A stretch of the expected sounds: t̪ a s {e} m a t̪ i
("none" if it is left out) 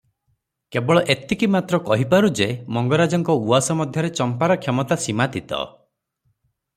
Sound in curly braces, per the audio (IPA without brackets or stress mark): i